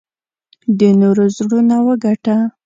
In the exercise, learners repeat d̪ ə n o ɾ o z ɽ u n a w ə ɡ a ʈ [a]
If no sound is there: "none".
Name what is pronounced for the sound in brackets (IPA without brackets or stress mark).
a